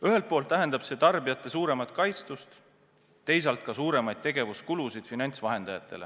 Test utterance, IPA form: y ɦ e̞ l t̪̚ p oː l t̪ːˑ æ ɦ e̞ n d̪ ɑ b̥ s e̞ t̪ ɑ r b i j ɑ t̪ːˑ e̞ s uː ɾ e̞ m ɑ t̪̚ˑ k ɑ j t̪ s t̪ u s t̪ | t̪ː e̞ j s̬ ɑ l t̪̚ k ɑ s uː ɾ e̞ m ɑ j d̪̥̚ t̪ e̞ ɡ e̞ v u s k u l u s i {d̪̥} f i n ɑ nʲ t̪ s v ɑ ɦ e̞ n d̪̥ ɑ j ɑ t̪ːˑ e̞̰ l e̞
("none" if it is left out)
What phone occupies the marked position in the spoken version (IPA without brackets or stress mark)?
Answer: d̪̥